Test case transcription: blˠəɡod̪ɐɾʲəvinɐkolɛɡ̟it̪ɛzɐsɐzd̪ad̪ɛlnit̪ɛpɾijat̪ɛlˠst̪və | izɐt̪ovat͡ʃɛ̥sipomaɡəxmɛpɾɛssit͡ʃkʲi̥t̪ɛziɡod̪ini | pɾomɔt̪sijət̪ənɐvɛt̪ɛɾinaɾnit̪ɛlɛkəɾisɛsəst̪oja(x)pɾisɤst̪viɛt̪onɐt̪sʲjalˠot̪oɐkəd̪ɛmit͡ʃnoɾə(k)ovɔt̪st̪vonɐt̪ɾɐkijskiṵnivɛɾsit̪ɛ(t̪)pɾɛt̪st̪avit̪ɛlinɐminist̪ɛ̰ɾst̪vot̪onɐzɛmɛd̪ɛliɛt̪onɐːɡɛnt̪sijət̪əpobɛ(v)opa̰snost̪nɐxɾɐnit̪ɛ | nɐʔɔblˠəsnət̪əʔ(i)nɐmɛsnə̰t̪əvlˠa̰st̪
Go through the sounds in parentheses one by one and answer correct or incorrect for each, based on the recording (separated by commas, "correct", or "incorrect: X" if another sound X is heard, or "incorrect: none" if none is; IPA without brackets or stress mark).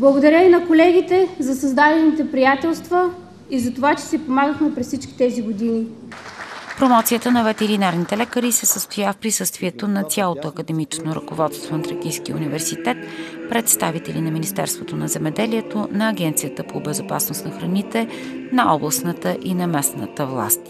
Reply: incorrect: f, correct, correct, incorrect: z, correct